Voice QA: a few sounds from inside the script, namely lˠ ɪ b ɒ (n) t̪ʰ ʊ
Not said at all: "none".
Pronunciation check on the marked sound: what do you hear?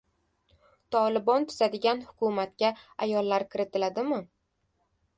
n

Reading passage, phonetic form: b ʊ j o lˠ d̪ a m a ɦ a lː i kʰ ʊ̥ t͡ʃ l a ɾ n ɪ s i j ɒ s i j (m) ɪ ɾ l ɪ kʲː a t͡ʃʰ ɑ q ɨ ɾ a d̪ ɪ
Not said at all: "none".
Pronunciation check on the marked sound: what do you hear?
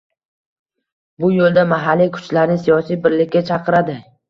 b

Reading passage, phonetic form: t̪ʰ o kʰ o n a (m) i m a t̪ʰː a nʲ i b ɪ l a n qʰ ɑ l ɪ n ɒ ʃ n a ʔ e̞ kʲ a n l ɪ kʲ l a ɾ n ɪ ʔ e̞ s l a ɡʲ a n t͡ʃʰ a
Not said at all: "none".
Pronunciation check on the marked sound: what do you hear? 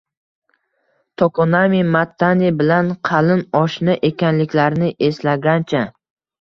m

